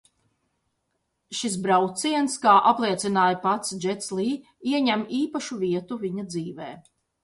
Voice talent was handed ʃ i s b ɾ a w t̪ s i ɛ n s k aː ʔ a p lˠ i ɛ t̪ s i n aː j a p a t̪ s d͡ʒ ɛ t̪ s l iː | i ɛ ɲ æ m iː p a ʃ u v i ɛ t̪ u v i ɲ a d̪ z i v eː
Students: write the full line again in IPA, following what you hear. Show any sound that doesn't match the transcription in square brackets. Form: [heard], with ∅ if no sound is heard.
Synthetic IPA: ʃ i s b ɾ a w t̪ s i ɛ n s k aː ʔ a p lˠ i ɛ t̪ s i n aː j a p a t̪ s d͡ʒ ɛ t̪ s l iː | i ɛ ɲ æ m iː p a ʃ u v i ɛ t̪ u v i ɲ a d̪ z [iː] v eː